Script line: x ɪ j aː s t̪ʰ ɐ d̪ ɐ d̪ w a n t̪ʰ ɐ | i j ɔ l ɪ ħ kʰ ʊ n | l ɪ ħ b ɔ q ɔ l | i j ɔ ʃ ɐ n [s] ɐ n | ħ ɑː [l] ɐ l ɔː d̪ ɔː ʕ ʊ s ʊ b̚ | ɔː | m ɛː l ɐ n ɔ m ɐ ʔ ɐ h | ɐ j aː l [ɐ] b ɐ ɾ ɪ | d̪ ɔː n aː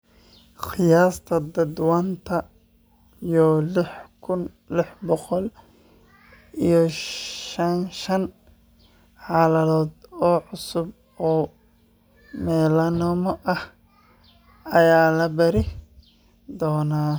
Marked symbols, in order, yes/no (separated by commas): no, yes, yes